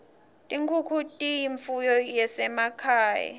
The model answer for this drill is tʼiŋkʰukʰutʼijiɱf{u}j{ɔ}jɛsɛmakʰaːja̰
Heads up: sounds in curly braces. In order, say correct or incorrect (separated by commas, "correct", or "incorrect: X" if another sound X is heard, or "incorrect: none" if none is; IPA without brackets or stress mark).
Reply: correct, correct